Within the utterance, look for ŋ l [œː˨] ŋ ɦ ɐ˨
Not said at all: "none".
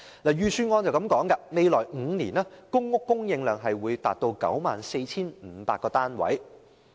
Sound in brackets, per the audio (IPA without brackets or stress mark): œː˨